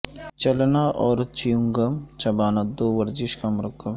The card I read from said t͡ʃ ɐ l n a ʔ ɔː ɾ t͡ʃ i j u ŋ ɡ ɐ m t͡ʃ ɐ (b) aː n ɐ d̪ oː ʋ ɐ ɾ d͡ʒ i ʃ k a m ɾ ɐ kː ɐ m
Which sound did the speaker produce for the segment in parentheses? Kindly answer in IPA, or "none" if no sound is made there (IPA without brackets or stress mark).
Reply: b